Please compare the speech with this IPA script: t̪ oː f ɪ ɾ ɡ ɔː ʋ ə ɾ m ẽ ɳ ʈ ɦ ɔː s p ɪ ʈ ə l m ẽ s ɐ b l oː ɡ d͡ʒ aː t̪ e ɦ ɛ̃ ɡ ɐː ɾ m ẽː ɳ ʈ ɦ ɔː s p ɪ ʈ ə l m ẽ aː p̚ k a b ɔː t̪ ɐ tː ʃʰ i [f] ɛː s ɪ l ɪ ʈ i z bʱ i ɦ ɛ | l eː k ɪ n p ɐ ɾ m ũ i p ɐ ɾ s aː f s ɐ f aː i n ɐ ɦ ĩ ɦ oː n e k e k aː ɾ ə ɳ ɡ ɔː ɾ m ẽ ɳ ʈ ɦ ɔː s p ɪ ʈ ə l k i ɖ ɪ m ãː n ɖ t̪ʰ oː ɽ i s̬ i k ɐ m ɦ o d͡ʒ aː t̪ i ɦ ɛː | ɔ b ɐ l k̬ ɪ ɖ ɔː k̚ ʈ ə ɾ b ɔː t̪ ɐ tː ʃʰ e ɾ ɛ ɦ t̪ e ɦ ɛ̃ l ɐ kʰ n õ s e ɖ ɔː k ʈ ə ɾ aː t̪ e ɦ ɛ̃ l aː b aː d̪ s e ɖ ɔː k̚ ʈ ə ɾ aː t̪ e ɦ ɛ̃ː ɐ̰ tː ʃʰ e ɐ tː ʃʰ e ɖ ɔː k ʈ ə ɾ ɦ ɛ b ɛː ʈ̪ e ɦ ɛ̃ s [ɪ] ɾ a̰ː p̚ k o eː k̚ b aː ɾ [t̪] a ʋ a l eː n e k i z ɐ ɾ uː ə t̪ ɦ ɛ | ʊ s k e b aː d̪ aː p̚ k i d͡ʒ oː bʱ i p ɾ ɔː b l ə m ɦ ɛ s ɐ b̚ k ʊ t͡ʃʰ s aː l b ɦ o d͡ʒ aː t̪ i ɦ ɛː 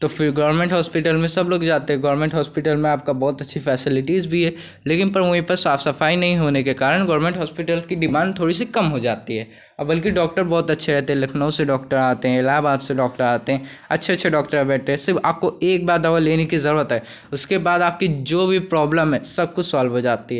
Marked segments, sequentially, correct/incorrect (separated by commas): correct, correct, incorrect